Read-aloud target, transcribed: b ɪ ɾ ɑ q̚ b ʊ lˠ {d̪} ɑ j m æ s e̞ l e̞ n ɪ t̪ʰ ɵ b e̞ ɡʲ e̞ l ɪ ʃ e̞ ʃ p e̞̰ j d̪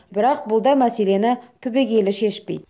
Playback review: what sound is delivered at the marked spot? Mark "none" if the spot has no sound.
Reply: d̪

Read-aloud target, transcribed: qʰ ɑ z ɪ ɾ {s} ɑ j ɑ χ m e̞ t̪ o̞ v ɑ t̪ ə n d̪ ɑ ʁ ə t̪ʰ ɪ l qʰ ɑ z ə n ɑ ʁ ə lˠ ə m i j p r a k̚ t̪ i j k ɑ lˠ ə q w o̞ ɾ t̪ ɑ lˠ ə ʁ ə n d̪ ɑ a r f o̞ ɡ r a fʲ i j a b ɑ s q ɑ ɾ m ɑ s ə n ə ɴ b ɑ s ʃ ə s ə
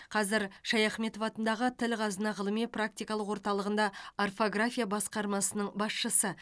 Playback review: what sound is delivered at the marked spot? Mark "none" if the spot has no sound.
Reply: ʃ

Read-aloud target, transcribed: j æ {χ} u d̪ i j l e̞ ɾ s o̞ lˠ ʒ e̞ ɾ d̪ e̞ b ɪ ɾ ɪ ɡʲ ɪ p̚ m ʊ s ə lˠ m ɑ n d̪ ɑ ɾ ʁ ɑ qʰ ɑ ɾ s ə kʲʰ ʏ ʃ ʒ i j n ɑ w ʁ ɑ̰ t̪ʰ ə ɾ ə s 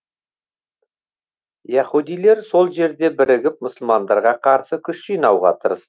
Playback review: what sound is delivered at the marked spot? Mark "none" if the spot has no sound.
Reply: χ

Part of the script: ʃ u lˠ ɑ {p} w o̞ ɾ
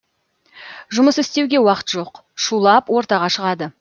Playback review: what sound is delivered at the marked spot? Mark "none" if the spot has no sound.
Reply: p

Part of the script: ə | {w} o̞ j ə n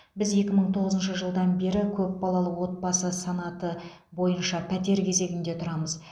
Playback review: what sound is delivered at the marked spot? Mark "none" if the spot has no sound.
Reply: b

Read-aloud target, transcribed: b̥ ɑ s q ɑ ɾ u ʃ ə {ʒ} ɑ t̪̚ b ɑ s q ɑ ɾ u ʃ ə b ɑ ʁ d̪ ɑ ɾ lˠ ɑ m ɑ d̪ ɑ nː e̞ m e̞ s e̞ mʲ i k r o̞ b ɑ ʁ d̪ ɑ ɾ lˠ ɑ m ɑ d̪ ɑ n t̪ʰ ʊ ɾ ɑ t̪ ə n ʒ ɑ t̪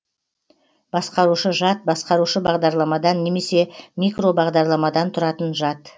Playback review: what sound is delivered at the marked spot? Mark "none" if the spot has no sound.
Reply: ʒ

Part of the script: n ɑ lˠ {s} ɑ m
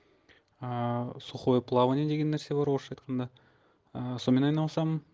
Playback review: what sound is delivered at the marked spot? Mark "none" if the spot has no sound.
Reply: s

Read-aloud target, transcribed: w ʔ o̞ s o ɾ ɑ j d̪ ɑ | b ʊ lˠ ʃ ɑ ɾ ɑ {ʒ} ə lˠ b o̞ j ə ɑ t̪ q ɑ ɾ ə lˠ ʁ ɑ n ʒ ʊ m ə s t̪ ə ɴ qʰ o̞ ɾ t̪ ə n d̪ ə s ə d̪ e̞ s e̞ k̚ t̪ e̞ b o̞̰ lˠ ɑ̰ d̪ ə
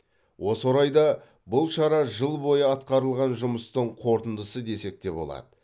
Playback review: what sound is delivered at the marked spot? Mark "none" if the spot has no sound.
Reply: ʒ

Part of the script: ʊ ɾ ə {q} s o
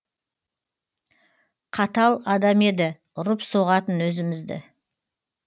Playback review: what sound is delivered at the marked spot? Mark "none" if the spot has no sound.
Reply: p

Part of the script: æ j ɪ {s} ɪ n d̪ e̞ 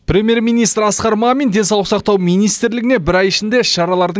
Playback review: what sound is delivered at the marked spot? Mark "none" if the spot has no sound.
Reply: ʃ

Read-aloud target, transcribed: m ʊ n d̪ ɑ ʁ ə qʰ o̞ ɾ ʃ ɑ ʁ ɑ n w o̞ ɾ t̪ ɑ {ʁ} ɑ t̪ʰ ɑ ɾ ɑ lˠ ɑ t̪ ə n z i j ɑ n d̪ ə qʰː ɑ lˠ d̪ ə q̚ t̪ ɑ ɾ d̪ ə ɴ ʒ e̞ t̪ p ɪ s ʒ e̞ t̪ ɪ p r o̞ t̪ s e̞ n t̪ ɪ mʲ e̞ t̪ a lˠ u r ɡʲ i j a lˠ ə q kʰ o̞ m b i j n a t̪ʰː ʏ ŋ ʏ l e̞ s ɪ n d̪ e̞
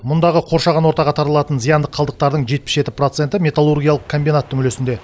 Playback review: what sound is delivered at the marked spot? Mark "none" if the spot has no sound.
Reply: ʁ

